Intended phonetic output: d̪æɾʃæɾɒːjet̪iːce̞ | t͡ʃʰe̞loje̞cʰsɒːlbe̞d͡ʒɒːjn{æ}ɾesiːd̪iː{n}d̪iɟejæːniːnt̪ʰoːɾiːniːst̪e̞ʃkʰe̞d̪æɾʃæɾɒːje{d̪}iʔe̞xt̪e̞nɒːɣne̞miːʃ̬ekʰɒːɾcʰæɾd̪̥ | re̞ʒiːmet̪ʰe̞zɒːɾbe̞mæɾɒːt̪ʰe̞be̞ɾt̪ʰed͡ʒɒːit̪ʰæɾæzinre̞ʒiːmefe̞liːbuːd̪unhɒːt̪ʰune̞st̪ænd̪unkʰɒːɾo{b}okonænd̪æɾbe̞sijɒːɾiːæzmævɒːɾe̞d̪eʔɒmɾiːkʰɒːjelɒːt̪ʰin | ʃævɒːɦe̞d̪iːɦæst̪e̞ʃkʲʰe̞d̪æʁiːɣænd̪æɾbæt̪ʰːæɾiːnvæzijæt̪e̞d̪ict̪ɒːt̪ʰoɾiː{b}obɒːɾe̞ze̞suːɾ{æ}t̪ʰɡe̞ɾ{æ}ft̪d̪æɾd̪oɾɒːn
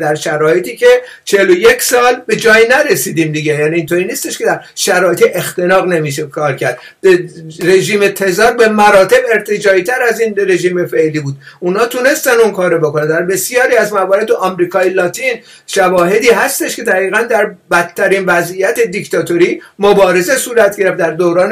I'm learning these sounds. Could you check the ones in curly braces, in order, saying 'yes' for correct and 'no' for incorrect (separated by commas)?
yes, no, no, yes, no, yes, no